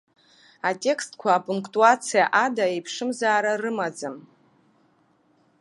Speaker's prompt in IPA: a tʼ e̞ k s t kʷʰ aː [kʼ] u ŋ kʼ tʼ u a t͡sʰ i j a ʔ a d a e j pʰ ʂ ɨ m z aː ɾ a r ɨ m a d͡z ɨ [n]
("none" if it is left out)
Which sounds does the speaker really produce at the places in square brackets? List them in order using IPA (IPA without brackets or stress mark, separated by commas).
pʼ, m